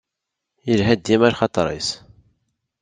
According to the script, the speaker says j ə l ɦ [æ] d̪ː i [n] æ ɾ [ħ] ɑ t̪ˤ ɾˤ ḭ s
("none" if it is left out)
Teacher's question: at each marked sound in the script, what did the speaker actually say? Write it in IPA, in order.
æ, m, χ

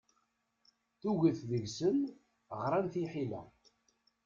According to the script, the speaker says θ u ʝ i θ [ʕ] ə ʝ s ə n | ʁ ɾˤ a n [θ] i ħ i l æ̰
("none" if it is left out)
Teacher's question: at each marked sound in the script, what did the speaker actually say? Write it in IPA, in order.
ð, θ

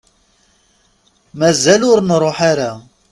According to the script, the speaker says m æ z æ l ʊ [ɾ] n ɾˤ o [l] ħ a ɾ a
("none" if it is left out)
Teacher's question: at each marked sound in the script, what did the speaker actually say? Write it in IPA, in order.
ɾ, none

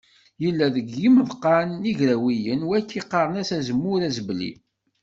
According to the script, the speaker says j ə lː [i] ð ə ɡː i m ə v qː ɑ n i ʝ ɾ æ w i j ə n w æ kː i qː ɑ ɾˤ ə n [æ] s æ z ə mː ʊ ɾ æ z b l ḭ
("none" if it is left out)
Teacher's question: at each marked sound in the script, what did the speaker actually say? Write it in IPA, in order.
æ, æ

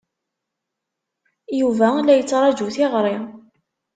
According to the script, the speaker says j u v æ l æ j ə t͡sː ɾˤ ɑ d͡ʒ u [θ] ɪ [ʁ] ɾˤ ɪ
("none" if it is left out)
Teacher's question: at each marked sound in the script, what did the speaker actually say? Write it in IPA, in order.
θ, ʁ

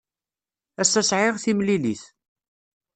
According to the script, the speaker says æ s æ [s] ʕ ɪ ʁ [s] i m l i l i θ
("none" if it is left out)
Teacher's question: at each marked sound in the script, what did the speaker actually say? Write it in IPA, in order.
s, θ

